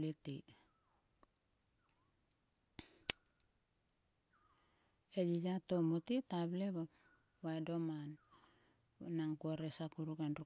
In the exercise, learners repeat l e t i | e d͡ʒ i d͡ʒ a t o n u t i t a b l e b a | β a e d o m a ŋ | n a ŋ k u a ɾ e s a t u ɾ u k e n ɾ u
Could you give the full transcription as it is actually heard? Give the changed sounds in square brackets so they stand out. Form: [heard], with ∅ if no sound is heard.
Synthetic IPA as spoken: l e t i | e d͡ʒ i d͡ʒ a t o [m] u t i t a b l e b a | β a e d o m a [n] | n a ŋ k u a ɾ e s a [k] u ɾ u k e n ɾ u